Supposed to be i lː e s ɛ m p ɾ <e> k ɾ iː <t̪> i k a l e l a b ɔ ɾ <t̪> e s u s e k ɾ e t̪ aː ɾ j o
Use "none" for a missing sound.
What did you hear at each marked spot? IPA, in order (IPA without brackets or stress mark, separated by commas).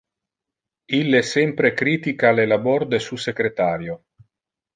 e, t̪, d̪